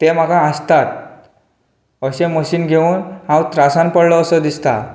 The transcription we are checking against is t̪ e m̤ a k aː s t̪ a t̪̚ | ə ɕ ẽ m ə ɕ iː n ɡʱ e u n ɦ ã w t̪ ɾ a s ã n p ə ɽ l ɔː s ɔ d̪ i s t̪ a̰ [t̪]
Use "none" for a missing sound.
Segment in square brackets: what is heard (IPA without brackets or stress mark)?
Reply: none